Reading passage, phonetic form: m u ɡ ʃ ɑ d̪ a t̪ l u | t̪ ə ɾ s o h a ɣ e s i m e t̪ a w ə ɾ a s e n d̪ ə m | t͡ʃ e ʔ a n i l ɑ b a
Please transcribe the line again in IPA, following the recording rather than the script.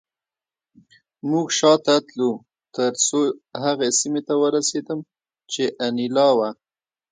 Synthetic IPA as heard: m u ɡ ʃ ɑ t̪ a t̪ l u | t̪ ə ɾ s o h a ɣ e s i m e t̪ a w ə ɾ a s e d̪ ə m | t͡ʃ e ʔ a n i l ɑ w a